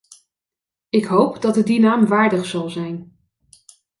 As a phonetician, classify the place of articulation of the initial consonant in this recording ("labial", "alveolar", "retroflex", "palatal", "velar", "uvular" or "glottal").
velar